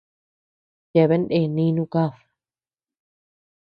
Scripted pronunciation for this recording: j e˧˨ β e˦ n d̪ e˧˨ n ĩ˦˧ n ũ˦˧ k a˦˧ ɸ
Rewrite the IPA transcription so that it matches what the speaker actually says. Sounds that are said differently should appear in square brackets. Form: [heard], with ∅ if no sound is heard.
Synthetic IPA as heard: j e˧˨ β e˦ n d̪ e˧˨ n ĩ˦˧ n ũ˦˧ k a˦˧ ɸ